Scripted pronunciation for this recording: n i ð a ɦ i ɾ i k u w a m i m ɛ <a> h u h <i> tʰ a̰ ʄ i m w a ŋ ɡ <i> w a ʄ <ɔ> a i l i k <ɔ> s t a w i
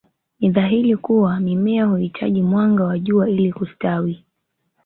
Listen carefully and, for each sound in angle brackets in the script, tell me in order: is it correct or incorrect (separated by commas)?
correct, correct, incorrect, incorrect, incorrect